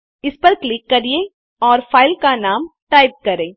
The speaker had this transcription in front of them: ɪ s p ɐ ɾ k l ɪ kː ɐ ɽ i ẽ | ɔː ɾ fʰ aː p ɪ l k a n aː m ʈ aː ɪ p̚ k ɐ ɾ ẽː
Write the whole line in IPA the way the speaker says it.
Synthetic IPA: ɪ s p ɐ ɾ k l ɪ kː ɐ ɾ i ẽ | ɔː ɾ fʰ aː ɪ l k a n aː m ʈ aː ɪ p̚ k ɐ ɾ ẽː